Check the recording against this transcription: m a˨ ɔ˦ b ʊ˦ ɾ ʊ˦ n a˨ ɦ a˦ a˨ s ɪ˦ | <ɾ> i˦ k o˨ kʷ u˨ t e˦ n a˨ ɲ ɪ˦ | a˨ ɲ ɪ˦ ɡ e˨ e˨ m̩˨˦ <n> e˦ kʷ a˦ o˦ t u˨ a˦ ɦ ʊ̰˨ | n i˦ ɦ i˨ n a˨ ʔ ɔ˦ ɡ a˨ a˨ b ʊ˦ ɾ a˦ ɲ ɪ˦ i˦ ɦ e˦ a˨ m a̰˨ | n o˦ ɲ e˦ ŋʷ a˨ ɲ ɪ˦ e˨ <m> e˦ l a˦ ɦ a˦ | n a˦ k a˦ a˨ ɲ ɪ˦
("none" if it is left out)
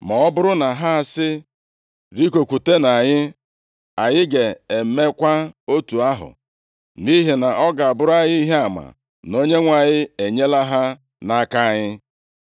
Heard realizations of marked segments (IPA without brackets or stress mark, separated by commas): ɾ, m, ɲ